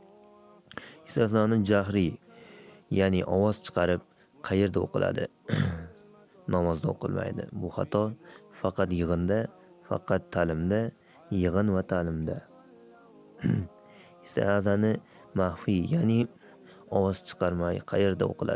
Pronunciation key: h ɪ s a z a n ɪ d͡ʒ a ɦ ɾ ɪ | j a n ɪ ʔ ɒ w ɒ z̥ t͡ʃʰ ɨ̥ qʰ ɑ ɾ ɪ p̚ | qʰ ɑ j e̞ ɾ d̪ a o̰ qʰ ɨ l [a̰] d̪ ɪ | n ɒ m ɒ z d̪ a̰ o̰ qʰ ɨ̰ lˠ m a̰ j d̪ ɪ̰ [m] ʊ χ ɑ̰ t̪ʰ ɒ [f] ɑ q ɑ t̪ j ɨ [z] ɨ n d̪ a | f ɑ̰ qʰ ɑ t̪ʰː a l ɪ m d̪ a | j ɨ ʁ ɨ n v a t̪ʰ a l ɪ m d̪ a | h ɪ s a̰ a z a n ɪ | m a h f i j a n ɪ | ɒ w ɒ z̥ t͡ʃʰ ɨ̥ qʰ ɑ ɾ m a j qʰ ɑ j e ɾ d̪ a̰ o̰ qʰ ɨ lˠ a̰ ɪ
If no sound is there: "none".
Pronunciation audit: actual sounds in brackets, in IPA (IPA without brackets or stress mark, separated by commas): a̰, b, f, ʁ